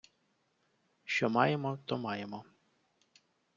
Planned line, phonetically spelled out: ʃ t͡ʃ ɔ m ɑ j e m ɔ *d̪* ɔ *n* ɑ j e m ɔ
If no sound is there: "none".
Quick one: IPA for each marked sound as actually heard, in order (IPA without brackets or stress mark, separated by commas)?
t̪, m